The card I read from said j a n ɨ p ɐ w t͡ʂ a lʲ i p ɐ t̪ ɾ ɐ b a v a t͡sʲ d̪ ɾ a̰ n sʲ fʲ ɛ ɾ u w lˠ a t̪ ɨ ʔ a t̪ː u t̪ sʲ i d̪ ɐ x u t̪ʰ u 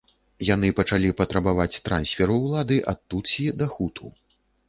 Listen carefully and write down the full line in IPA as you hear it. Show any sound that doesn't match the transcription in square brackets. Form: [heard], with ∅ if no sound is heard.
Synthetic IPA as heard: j a n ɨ p ɐ [∅] t͡ʂ a lʲ i p ɐ t̪ ɾ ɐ b a v a t͡sʲ [t̪] ɾ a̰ n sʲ fʲ ɛ ɾ u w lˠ a [d̪] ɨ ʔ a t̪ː u t̪ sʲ i d̪ ɐ x u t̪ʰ u